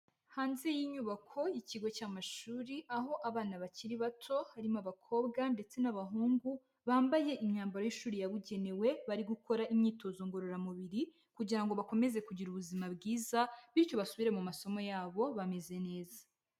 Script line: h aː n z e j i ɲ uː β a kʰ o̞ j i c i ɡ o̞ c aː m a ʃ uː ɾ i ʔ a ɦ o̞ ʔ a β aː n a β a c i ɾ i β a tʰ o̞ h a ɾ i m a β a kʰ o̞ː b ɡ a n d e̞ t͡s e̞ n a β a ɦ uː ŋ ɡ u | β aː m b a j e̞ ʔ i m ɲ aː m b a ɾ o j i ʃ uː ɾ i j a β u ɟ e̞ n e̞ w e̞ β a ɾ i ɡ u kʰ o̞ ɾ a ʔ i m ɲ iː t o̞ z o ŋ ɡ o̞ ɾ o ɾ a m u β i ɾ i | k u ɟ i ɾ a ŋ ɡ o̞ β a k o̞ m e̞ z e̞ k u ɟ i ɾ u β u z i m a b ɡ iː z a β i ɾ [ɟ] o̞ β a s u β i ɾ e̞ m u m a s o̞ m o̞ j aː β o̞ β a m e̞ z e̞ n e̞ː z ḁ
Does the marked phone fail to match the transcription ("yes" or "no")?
yes